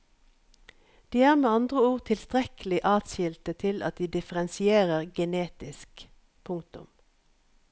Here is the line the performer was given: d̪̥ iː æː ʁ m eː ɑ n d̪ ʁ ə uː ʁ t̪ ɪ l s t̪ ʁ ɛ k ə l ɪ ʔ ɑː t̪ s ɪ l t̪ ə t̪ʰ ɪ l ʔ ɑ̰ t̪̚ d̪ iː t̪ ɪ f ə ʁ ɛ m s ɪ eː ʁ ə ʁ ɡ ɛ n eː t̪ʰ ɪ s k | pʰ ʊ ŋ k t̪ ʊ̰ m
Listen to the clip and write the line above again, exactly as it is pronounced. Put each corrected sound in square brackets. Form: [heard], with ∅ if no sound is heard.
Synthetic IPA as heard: d̪̥ iː æː ʁ m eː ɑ n d̪ ʁ ə uː ʁ [t̪ʰ] ɪ l s t̪ ʁ ɛ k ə l ɪ ʔ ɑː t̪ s ɪ l t̪ ə t̪ʰ ɪ l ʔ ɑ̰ t̪̚ d̪ iː [d̪] ɪ f ə ʁ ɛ [n] s ɪ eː ʁ ə ʁ ɡ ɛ n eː [t̪] ɪ s k | pʰ ʊ ŋ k t̪ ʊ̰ m